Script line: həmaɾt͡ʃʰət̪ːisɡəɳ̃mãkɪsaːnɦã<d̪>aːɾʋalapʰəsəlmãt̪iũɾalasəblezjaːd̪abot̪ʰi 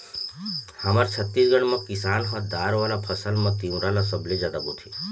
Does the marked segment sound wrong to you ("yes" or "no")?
no